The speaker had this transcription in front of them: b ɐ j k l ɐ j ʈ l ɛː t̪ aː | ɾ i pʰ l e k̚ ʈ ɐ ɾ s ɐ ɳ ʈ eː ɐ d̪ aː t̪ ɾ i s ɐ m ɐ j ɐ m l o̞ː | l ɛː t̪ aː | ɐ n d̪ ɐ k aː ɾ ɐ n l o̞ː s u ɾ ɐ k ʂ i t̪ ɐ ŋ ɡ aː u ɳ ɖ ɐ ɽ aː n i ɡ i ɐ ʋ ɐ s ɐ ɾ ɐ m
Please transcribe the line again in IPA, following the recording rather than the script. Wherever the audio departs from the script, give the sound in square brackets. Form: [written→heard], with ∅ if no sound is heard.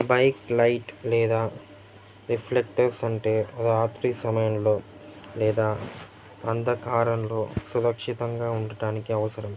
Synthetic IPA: b ɐ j k l ɐ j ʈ l ɛː [t̪→d̪] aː | ɾ i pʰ l e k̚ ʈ ɐ ɾ s ɐ ɳ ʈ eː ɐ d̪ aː t̪ ɾ i s ɐ m ɐ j ɐ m l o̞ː | l ɛː [t̪→d̪] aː | ɐ n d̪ ɐ k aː ɾ ɐ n l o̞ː s u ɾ ɐ k ʂ i t̪ ɐ ŋ ɡ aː u ɳ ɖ ɐ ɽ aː n i [ɡ→k] i ɐ ʋ ɐ s ɐ ɾ ɐ m

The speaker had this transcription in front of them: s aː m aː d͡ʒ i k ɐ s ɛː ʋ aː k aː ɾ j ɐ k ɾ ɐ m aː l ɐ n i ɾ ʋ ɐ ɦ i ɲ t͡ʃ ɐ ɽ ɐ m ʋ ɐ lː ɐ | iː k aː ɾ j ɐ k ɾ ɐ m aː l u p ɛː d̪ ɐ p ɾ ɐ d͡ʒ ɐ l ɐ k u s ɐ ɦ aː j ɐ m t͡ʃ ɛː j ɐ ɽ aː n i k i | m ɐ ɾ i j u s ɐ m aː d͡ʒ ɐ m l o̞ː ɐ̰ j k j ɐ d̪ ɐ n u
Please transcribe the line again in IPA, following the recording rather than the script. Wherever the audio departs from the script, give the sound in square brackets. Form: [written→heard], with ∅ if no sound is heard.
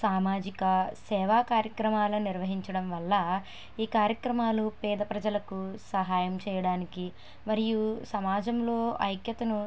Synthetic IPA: s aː m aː d͡ʒ i k ɐ s ɛː ʋ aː k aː ɾ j ɐ k ɾ ɐ m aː l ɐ n i ɾ ʋ ɐ ɦ i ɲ t͡ʃ ɐ ɽ ɐ m ʋ ɐ lː ɐ | iː k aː ɾ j ɐ k ɾ ɐ m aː l u p ɛː d̪ ɐ p ɾ ɐ d͡ʒ ɐ l ɐ k u s ɐ ɦ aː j ɐ m t͡ʃ ɛː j ɐ ɽ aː n i k i | m ɐ ɾ i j u s ɐ m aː d͡ʒ ɐ m l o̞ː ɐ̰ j k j ɐ [d̪→t̪] ɐ n u

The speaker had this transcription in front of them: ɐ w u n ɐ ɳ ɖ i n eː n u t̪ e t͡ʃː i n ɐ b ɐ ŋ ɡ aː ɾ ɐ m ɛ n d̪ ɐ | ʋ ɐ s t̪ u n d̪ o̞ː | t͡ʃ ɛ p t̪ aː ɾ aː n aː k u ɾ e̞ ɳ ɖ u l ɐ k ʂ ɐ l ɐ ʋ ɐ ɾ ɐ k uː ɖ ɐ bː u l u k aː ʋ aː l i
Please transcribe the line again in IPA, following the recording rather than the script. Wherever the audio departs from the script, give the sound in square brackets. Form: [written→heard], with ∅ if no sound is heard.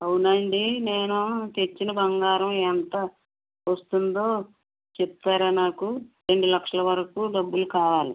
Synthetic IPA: ɐ w u n ɐ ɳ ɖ i n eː n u t̪ e t͡ʃː i n ɐ b ɐ ŋ ɡ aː ɾ ɐ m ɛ n [d̪→t̪] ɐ | ʋ ɐ s t̪ u n d̪ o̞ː | t͡ʃ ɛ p t̪ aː ɾ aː n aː k u ɾ e̞ ɳ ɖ u l ɐ k ʂ ɐ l ɐ ʋ ɐ ɾ ɐ k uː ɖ ɐ bː u l u k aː ʋ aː l i

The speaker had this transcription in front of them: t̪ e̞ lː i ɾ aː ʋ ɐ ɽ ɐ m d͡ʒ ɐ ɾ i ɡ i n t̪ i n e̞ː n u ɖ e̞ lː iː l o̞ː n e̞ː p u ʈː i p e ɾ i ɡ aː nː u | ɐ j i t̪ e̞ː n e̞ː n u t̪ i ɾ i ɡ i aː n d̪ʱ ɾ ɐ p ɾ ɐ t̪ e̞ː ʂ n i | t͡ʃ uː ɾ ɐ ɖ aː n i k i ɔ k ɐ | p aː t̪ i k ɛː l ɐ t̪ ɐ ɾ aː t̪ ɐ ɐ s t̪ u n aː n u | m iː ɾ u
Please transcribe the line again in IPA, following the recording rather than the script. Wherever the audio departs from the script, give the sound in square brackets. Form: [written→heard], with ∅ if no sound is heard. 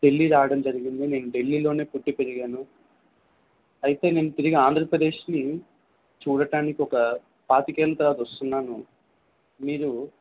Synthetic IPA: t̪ e̞ lː i ɾ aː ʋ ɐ ɽ ɐ m d͡ʒ ɐ ɾ i ɡ i n [t̪→d̪] i n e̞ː n u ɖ e̞ lː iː l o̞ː n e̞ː p u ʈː i p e ɾ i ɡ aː [nː→n] u | ɐ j i t̪ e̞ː n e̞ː n u t̪ i ɾ i ɡ i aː n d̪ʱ ɾ ɐ p ɾ ɐ [t̪→d̪] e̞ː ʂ n i | t͡ʃ uː [ɾ→ɽ] ɐ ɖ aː n i k i ɔ k ɐ | p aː t̪ i k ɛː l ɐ t̪ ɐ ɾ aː t̪ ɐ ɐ s t̪ u [n→nː] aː n u | m iː ɾ u

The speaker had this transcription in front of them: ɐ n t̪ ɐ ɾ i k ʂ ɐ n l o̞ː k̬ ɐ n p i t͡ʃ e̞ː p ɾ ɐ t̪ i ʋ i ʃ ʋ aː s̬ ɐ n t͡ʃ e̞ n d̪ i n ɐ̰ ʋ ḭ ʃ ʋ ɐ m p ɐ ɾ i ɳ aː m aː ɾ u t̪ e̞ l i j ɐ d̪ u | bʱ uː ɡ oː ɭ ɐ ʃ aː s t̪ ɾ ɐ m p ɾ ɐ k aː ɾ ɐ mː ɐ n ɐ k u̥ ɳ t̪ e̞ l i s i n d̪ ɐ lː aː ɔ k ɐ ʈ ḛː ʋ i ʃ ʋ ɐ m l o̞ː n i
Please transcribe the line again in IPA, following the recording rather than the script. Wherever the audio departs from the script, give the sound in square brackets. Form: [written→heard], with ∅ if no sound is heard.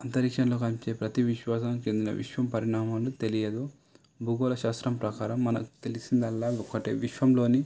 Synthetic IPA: ɐ n t̪ ɐ ɾ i k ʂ ɐ n l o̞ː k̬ ɐ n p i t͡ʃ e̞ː p ɾ ɐ t̪ i ʋ i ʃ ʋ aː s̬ ɐ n t͡ʃ e̞ n d̪ i n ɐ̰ ʋ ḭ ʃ ʋ ɐ m p ɐ ɾ i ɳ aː m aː [ɾ→l] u t̪ e̞ l i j ɐ d̪ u | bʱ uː ɡ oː [ɭ→l] ɐ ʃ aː s t̪ ɾ ɐ m p ɾ ɐ k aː ɾ ɐ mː ɐ n ɐ k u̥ [ɳ→∅] t̪ e̞ l i s i n d̪ ɐ lː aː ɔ k ɐ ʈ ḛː ʋ i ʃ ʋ ɐ m l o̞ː n i

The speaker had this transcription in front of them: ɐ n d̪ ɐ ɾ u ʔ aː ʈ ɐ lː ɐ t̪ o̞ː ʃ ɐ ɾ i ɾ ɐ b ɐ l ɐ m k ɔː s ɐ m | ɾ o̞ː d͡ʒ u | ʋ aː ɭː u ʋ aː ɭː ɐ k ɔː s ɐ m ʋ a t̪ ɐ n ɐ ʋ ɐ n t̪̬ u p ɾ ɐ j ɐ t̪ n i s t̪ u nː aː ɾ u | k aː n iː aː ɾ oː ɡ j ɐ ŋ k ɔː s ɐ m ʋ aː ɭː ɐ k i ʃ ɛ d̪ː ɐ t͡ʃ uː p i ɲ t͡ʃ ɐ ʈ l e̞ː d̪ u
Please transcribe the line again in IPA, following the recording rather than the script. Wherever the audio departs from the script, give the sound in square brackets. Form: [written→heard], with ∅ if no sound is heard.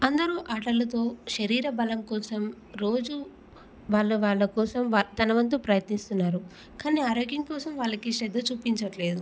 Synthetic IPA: ɐ n d̪ ɐ ɾ u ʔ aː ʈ ɐ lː ɐ t̪ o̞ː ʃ ɐ ɾ [i→iː] ɾ ɐ b ɐ l ɐ m k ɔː s ɐ m | ɾ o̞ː d͡ʒ u | ʋ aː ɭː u ʋ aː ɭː ɐ k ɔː s ɐ m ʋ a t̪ ɐ n ɐ ʋ ɐ n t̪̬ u p ɾ ɐ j ɐ t̪ n i s t̪ u nː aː ɾ u | k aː n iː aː ɾ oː ɡ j ɐ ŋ k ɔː s ɐ m ʋ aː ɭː ɐ k i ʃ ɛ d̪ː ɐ t͡ʃ uː p i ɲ t͡ʃ ɐ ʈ l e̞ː d̪ u

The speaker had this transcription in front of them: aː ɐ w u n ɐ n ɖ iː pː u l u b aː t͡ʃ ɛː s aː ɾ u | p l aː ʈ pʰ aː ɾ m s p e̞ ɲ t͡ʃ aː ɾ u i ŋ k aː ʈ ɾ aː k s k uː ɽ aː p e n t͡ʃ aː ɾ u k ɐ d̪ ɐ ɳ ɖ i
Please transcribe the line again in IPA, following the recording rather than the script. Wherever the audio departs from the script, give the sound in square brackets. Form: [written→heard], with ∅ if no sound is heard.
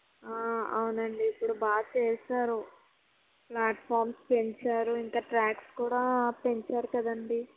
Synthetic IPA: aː ɐ w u n ɐ [n→ɳ] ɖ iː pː u [l→ɽ] u b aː t͡ʃ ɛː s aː ɾ u | p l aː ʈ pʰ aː ɾ m s p e̞ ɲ t͡ʃ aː ɾ u i ŋ k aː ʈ ɾ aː k s k uː ɽ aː p e [n→ɲ] t͡ʃ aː ɾ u k ɐ d̪ ɐ ɳ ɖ i

